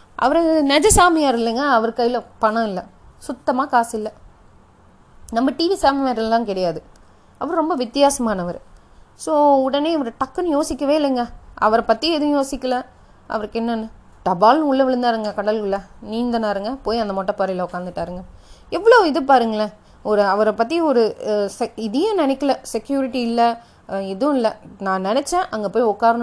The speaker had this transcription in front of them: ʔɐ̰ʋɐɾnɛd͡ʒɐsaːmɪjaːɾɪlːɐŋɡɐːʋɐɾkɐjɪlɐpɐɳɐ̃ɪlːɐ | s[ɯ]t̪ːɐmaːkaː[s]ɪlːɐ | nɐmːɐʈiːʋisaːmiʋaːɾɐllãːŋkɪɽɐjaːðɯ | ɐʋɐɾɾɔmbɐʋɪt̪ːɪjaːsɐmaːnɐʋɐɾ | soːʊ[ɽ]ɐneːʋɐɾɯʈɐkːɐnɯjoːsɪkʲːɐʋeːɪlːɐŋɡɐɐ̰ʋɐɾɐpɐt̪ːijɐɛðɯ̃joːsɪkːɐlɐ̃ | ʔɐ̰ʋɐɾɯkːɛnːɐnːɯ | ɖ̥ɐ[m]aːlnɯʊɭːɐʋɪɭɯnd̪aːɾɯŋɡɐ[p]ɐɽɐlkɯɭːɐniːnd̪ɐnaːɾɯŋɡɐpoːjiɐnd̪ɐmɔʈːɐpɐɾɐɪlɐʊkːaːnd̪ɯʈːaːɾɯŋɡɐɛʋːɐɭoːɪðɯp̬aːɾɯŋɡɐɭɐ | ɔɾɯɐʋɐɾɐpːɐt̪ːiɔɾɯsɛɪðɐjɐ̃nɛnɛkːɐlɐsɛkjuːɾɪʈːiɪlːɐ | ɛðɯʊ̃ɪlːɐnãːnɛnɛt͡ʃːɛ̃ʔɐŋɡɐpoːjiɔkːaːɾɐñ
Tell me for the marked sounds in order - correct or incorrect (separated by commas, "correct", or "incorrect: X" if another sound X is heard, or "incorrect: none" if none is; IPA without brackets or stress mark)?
incorrect: ʊ, correct, correct, incorrect: b, incorrect: k